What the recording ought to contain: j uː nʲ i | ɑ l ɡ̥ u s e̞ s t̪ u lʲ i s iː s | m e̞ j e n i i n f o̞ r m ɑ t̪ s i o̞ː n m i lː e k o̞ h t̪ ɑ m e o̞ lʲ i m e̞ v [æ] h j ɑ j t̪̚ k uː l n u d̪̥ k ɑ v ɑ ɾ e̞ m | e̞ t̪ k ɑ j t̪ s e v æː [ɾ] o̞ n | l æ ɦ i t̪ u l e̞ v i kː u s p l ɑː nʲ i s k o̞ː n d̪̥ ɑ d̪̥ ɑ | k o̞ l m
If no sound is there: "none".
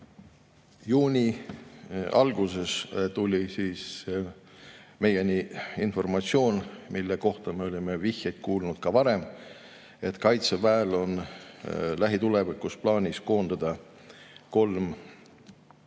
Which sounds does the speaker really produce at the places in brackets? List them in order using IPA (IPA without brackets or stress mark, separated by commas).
i, l